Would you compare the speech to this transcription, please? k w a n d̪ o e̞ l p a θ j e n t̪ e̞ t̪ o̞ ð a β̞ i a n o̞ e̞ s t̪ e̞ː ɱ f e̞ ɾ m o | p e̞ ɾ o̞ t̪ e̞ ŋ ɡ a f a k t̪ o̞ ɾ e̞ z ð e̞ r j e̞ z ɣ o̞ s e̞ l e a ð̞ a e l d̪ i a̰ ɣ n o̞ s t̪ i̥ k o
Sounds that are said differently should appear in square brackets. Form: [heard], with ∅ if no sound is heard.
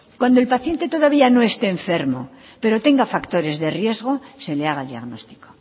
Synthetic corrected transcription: k w a n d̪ o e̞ l p a θ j e n t̪ e̞ t̪ o̞ ð a β̞ i a n o̞ e̞ s t̪ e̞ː ɱ f e̞ ɾ m o | p e̞ ɾ o̞ t̪ e̞ ŋ ɡ a f a k t̪ o̞ ɾ e̞ z ð e̞ r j e̞ z ɣ o̞ s e̞ l e a [ɣ̞] a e l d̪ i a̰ ɣ n o̞ s t̪ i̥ k o